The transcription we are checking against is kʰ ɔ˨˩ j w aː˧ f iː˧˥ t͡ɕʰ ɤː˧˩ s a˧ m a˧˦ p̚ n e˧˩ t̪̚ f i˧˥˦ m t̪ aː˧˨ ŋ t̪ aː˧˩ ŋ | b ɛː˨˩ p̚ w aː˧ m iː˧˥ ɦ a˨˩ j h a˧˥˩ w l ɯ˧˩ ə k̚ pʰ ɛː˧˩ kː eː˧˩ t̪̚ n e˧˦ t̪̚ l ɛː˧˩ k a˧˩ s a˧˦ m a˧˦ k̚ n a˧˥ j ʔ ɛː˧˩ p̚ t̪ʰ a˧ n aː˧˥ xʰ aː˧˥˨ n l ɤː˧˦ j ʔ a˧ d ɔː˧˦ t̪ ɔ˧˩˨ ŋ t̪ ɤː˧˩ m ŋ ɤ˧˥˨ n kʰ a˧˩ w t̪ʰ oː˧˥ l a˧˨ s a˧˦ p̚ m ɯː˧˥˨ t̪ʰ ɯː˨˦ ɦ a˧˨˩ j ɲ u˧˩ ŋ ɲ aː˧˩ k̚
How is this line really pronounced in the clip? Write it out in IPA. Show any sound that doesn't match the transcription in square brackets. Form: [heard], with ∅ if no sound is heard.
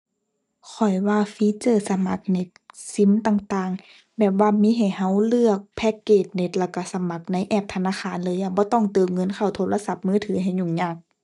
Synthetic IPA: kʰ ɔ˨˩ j w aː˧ f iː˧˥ [t͡ɕ] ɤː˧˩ s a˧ m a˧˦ [k̚] n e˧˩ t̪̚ [s] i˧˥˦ m t̪ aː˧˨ ŋ t̪ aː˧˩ ŋ | b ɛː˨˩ p̚ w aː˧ m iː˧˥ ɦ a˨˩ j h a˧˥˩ w l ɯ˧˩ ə k̚ pʰ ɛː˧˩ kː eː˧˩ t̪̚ n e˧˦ t̪̚ l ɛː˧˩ k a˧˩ s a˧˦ m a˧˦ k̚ n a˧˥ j ʔ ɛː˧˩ p̚ t̪ʰ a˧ n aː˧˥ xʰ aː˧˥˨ n l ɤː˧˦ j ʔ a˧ [b] ɔː˧˦ t̪ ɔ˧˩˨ ŋ t̪ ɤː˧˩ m ŋ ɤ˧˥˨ n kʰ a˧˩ w t̪ʰ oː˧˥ l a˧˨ s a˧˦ p̚ m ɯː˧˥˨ t̪ʰ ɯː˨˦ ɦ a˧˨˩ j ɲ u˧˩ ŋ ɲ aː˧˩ k̚